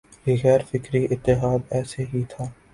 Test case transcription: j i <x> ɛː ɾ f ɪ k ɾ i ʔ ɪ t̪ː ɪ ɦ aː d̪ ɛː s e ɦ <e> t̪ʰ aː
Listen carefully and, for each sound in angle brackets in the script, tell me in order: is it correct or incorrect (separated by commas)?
incorrect, incorrect